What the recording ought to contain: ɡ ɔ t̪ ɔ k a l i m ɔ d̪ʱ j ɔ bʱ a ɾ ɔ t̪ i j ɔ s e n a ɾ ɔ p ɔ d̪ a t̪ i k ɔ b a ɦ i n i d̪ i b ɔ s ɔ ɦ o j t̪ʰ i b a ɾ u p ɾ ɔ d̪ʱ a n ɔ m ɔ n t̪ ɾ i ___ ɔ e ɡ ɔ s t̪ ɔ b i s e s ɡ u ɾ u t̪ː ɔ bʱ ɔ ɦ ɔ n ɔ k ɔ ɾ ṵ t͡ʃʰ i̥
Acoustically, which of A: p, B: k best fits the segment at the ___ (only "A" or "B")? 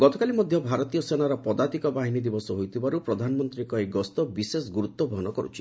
B